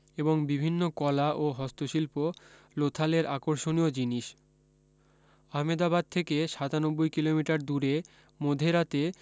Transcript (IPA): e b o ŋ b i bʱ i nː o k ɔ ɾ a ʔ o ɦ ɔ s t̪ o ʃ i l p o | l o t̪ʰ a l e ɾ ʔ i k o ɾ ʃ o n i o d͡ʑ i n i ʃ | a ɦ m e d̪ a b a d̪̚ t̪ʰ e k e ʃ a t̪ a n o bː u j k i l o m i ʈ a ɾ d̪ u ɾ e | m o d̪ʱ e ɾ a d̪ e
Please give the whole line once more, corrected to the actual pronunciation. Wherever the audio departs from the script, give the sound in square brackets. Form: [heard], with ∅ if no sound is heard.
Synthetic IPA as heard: e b o ŋ b i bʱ i nː o k ɔ [l] a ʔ o ɦ ɔ s t̪ o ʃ i l p o | l o t̪ʰ a l e ɾ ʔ [a] k o ɾ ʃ o n i o d͡ʑ i n i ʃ | a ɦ m e d̪ a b a d̪̚ t̪ʰ e k e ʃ a t̪ a n o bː [o] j k i l o m i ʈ a ɾ d̪ u ɾ e | m o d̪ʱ e ɾ a [t̪] e